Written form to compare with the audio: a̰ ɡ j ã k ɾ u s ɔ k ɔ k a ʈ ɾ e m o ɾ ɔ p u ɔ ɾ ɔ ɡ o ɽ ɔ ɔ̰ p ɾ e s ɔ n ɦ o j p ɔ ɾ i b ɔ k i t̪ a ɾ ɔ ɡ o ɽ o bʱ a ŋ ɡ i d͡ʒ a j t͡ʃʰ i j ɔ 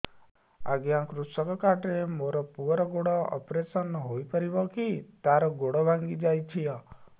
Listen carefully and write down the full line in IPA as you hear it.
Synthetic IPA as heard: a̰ ɡ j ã k ɾ u s ɔ k ɔ k a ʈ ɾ e m o ɾ ɔ p u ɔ ɾ ɔ ɡ o ɽ ɔ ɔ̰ p ɾ e s ɔ n ɦ o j p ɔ ɾ i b ɔ k i t̪ a ɾ ɔ ɡ o ɽ ɔ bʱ a ŋ ɡ i d͡ʒ a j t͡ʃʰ i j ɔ

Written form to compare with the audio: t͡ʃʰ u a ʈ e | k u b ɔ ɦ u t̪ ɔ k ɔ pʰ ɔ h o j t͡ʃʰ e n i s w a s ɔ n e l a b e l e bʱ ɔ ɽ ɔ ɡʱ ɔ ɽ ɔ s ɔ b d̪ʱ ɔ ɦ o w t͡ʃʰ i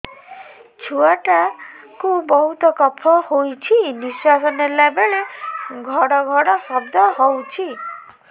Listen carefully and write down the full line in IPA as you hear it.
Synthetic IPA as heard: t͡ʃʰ u a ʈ a | k u b ɔ ɦ u t̪ ɔ k ɔ pʰ ɔ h o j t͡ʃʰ i n i s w a s ɔ n e l a b e ɭ e ɡʱ ɔ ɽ ɔ ɡʱ ɔ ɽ ɔ s ɔ b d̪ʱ ɔ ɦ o w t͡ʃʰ i

